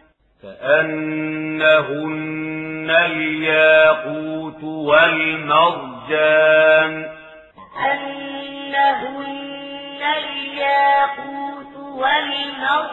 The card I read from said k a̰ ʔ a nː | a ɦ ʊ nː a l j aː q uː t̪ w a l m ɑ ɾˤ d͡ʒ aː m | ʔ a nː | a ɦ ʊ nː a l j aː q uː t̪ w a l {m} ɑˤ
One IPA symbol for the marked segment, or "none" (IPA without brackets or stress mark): m